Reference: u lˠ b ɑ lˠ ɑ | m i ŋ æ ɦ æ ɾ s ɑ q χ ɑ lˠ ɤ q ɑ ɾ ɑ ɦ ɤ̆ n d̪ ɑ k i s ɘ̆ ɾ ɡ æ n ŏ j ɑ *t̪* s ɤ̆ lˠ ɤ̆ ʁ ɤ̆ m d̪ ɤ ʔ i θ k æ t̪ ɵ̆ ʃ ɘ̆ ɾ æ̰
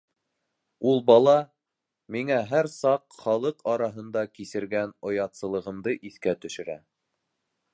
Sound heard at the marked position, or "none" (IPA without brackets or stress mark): t̪